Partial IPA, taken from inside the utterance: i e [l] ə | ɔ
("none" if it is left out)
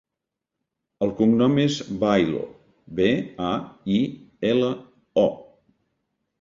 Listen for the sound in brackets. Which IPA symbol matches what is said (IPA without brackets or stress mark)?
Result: l